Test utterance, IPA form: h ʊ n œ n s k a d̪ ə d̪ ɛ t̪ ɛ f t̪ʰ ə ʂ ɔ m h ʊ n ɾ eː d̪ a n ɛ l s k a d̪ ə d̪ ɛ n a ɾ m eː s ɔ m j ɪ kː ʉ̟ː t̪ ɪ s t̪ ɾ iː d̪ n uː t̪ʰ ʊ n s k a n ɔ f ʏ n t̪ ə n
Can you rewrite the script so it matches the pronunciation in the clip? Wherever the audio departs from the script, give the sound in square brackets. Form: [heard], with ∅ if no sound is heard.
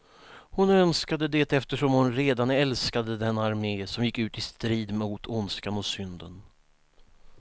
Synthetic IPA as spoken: h ʊ n œ n s k a d̪ ə d̪ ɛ t̪ ɛ f [t̪] ə ʂ ɔ m h ʊ n ɾ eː d̪ a n ɛ l s k a d̪ ə d̪ ɛ n a ɾ m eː s ɔ m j ɪ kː ʉ̟ː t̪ ɪ s t̪ ɾ iː d̪ [m] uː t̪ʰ ʊ n s k a n ɔ [s] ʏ n [d̪] ə n